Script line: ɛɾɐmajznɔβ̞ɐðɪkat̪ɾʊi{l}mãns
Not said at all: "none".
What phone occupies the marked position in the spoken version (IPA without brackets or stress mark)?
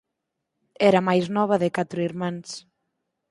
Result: ɾ